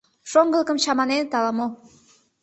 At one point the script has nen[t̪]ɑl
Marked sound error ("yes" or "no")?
no